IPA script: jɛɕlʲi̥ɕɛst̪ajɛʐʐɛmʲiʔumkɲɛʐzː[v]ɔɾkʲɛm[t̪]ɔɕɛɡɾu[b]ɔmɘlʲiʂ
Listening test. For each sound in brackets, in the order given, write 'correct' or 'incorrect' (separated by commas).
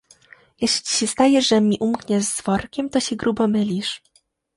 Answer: correct, correct, correct